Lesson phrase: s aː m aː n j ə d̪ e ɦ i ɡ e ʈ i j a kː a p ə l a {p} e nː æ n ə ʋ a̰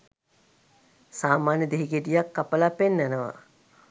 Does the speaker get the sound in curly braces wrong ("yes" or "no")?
no